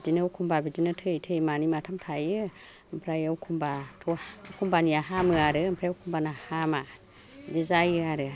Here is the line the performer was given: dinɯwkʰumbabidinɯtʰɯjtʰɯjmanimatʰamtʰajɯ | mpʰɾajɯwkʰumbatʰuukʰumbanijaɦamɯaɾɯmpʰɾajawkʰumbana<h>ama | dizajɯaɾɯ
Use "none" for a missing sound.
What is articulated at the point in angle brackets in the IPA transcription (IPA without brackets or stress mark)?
h